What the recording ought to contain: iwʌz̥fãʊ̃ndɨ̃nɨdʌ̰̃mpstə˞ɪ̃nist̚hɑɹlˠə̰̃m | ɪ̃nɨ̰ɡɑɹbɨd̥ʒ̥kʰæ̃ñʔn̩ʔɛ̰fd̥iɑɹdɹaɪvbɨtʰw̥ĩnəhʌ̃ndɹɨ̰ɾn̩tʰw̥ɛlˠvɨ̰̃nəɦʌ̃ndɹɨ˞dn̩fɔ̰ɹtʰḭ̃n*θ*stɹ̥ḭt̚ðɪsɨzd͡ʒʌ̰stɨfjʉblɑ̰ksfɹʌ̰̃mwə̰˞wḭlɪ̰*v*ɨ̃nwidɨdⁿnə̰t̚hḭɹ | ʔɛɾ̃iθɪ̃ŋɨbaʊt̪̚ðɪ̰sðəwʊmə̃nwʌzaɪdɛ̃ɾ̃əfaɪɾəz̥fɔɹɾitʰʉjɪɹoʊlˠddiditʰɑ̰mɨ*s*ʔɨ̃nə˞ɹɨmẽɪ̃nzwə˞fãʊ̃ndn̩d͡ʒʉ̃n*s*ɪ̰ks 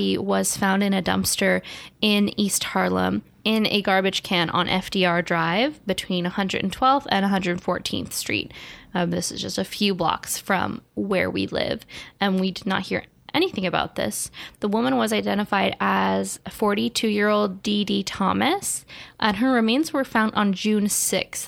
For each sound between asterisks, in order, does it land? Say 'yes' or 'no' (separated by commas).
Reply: yes, yes, yes, yes